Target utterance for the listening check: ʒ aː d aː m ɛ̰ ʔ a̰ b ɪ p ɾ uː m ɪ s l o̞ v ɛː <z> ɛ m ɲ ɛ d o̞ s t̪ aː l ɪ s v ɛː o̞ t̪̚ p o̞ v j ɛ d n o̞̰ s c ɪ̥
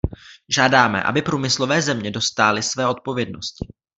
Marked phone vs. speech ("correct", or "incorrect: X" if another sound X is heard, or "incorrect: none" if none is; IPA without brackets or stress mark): correct